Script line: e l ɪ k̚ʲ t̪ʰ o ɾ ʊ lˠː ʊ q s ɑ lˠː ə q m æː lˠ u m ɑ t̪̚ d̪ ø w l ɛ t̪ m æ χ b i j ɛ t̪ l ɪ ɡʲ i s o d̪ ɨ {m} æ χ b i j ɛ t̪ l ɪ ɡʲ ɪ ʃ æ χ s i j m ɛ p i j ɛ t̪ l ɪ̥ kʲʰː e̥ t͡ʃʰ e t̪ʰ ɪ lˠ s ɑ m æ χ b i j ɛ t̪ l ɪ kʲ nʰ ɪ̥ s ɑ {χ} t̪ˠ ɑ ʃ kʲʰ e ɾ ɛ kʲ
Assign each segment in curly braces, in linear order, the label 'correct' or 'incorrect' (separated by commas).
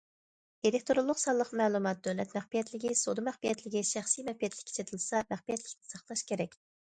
correct, correct